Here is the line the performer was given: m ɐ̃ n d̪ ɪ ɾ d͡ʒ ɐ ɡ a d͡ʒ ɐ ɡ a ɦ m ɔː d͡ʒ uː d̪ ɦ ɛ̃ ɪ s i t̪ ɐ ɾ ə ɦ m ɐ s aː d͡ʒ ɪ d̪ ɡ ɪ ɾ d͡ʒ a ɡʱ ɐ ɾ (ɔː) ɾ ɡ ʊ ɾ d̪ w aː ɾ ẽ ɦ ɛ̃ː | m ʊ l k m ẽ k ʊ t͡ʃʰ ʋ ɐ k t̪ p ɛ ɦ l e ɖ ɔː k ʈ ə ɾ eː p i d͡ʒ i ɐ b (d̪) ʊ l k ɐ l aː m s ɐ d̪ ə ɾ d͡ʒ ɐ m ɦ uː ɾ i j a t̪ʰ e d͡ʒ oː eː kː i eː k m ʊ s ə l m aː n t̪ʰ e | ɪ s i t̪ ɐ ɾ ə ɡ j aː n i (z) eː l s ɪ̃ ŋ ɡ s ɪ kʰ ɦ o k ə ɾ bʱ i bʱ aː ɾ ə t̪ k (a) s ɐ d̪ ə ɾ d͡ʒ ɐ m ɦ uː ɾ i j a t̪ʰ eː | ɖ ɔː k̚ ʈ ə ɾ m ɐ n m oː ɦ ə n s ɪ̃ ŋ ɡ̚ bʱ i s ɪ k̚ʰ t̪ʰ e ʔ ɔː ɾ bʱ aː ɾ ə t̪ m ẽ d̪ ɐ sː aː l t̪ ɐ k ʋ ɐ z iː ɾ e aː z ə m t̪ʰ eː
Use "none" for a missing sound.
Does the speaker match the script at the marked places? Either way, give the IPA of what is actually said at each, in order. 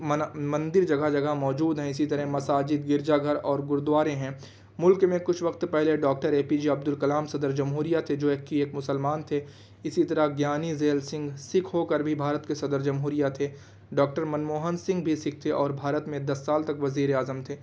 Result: ɔː, d̪, z, e

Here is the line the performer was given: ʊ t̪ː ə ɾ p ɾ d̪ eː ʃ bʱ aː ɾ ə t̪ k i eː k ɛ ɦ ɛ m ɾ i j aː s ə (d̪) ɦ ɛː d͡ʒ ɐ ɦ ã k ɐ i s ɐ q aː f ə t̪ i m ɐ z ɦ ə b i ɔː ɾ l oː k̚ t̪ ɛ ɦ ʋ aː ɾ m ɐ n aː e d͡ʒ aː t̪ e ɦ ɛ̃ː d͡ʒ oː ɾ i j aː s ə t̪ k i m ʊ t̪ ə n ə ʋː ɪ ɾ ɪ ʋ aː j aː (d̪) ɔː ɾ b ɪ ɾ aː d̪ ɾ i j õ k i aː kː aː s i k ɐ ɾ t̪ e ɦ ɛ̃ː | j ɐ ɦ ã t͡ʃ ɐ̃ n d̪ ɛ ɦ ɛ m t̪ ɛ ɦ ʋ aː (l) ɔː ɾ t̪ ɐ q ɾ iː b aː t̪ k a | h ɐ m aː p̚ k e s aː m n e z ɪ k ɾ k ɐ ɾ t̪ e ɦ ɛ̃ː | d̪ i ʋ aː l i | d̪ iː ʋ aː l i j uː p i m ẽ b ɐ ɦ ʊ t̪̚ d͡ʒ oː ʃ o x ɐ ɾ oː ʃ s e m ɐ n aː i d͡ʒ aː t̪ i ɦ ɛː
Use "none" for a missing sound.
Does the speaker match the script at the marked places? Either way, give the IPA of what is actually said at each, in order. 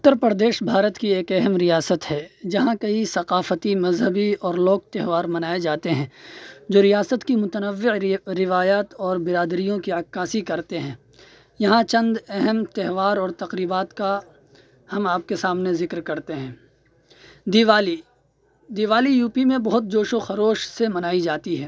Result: t̪, t̪, ɾ

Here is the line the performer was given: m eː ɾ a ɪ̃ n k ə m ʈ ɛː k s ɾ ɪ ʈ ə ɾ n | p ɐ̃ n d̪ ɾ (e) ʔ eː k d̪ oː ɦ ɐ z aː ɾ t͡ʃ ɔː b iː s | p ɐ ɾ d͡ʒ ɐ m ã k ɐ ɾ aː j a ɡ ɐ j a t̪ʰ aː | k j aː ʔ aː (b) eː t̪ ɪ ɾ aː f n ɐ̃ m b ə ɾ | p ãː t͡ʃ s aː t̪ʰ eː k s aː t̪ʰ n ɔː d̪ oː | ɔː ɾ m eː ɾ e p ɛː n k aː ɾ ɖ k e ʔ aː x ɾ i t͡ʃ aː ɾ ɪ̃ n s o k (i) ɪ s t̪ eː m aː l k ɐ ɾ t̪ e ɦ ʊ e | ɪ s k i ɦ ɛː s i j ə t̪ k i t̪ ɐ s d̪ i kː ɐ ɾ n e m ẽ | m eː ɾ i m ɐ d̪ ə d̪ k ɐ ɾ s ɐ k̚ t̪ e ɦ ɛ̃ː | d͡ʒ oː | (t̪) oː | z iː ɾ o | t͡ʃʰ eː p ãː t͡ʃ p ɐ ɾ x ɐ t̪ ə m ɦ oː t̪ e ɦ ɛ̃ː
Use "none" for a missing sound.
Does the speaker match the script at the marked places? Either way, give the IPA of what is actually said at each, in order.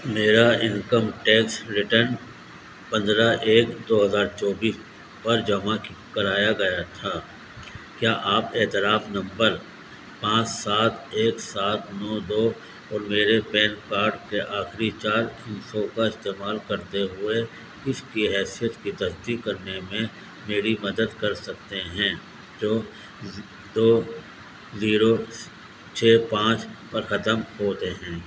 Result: a, p, a, d̪

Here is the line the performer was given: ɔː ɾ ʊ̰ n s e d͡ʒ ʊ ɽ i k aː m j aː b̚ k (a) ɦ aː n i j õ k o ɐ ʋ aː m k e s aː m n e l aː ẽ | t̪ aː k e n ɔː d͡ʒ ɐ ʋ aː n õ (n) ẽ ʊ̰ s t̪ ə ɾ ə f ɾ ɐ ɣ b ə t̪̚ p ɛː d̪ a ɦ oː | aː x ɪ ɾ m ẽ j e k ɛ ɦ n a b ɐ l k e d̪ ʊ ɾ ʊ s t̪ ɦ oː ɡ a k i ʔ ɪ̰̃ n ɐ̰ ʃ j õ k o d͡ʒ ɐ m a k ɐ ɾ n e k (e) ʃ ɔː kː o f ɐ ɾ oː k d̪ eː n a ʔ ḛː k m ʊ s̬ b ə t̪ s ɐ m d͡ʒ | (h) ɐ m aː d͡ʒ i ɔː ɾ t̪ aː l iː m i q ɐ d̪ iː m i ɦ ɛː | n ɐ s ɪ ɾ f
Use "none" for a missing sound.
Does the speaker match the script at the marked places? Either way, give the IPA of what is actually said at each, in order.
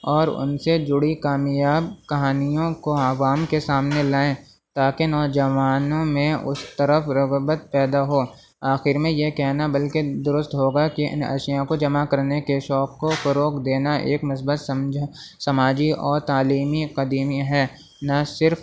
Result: ɐ, m, e, s

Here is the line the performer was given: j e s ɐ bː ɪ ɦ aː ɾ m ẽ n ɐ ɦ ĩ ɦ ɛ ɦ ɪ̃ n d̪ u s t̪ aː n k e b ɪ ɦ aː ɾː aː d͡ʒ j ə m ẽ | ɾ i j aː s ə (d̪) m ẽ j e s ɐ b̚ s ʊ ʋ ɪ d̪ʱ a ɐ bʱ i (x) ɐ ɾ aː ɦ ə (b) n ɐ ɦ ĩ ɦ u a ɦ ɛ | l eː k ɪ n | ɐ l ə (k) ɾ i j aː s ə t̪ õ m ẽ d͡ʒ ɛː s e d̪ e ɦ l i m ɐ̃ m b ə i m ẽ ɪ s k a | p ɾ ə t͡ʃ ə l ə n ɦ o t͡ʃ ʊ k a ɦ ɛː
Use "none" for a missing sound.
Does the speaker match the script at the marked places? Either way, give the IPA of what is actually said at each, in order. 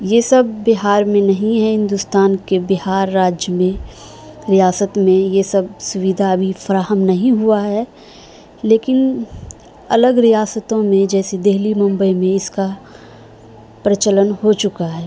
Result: t̪, f, m, ɡ

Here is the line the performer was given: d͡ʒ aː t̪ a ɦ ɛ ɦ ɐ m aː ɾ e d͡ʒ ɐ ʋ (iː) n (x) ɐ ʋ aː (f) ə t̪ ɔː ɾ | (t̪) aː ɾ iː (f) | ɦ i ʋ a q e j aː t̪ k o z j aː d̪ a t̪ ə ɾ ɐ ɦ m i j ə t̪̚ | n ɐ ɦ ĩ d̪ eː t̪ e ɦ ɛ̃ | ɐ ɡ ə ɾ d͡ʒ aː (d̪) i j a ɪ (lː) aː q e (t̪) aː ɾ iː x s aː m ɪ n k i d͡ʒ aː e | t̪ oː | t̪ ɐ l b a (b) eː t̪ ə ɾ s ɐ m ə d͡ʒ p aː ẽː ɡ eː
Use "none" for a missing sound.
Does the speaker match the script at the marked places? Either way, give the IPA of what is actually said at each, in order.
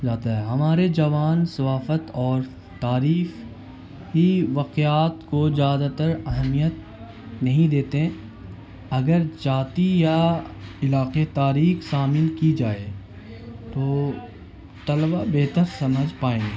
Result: aː, s, f, t̪, f, t̪, l, t̪, b

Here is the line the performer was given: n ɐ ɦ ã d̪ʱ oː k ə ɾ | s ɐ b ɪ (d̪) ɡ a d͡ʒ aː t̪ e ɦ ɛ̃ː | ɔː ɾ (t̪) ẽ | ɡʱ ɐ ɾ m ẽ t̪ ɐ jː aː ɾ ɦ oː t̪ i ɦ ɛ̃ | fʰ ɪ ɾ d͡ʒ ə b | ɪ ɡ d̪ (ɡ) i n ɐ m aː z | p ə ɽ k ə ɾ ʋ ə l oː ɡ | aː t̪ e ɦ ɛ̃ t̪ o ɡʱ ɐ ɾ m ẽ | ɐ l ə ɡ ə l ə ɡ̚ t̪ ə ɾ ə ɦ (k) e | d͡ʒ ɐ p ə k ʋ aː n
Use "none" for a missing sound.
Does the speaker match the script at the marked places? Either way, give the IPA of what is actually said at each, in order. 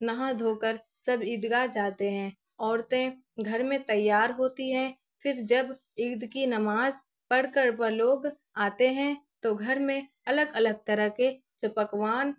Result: d̪, t̪, k, k

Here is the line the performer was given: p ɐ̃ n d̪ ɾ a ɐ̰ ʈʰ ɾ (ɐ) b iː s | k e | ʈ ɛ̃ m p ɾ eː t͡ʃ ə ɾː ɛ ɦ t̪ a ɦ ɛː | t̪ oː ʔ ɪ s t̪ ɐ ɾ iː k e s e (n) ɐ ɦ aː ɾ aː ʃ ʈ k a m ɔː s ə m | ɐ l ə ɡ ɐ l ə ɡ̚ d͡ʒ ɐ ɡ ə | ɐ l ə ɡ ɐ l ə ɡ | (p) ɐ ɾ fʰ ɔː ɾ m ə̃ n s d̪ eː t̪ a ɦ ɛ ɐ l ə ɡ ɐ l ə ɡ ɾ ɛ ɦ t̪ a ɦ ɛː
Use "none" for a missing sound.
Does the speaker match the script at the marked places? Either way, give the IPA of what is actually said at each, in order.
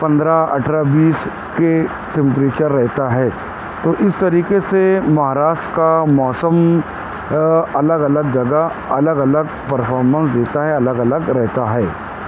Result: a, m, p

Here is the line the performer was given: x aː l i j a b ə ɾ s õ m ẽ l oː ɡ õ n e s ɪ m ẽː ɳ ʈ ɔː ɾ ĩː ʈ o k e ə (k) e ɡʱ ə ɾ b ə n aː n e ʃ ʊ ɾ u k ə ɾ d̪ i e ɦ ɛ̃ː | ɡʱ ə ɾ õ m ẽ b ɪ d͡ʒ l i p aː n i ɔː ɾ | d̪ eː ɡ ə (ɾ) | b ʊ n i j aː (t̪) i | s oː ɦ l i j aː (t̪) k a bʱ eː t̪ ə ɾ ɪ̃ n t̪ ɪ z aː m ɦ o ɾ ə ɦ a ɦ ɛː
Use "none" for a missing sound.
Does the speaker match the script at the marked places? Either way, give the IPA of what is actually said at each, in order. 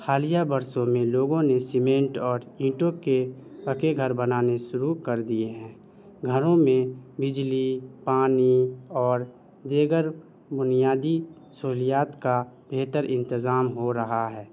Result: k, ɾ, d̪, t̪

